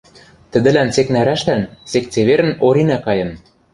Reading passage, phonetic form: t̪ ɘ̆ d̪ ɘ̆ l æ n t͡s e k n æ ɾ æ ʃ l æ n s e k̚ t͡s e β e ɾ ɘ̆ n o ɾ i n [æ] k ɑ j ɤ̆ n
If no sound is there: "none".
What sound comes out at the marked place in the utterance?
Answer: æ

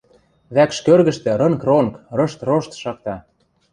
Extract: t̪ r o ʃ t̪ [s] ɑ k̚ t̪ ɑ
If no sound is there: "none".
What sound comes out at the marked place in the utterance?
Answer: ʃ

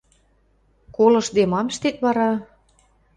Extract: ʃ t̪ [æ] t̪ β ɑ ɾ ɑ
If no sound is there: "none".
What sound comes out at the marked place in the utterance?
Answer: e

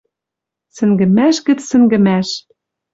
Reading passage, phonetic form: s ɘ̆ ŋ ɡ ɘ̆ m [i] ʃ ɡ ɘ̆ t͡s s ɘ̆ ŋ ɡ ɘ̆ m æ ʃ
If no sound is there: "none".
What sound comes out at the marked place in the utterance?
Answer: æ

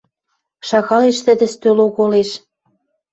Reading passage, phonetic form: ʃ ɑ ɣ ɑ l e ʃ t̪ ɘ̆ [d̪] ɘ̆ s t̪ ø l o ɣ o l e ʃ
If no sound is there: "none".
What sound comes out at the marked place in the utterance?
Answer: d̪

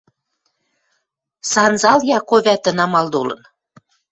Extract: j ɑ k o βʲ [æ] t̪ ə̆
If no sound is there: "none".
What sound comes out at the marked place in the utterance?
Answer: æ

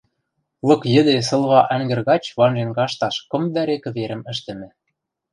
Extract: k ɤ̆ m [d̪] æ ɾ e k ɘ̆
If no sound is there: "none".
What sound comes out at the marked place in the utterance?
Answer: d̪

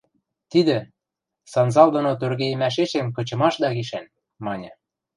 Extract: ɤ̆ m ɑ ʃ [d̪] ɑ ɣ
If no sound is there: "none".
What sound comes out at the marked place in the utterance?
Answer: d̪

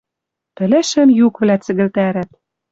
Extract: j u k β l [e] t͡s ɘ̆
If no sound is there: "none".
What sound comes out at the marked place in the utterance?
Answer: æ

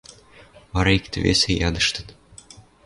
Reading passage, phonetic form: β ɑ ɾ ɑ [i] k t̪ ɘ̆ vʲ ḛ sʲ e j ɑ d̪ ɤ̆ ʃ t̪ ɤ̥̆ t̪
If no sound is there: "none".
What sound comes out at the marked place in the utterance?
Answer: i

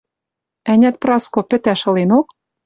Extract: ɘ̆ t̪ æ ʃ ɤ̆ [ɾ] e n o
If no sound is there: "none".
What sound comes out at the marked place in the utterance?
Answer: l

